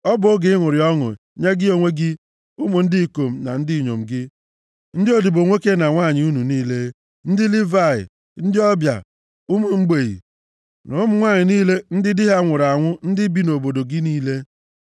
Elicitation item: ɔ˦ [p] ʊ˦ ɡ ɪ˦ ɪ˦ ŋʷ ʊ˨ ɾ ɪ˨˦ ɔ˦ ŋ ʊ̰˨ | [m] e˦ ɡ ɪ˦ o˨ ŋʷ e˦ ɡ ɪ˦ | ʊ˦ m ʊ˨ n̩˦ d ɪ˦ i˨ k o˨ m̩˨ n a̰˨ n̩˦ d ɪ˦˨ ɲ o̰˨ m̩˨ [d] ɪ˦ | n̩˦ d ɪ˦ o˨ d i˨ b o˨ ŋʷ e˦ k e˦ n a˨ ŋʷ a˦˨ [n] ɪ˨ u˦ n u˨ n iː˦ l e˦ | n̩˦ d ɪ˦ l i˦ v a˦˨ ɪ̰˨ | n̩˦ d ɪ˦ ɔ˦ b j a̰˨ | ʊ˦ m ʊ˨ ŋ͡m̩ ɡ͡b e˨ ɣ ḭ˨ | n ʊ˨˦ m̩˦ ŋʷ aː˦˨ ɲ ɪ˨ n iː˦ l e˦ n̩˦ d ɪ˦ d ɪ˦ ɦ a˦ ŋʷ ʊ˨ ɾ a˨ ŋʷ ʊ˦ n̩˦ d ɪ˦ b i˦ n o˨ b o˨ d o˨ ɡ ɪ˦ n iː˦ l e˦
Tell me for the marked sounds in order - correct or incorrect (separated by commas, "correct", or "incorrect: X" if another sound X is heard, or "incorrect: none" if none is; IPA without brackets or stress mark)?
incorrect: b, incorrect: ɲ, incorrect: ɡ, incorrect: ɲ